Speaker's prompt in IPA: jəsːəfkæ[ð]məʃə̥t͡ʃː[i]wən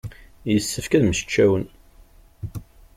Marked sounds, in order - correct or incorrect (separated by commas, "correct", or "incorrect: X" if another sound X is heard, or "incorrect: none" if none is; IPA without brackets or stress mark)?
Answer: correct, incorrect: æ